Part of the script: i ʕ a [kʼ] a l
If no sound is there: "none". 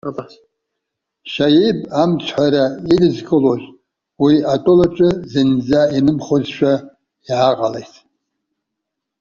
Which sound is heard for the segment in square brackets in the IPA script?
qʼ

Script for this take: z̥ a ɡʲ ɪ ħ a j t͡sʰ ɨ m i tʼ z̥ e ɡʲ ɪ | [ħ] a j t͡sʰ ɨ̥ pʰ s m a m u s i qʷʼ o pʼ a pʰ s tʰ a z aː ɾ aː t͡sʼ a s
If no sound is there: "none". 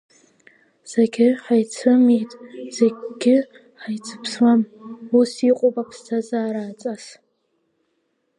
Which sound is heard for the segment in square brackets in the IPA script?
ħ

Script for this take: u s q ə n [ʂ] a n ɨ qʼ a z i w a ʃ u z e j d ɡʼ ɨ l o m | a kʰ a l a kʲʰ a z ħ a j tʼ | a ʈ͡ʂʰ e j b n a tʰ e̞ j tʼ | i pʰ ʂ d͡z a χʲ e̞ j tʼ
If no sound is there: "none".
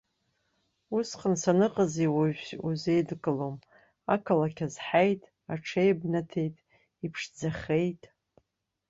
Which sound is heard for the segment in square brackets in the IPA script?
s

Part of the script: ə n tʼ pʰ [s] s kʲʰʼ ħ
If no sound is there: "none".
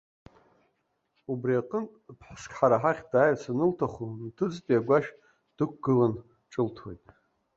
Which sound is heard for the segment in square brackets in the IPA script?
ħ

